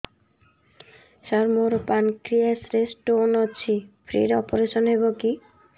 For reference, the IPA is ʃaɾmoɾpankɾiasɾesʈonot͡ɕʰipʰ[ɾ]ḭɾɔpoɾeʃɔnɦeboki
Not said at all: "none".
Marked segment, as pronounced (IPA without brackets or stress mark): ɾ